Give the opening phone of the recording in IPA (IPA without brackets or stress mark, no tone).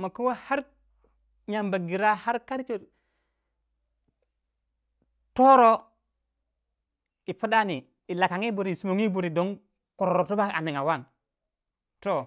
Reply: m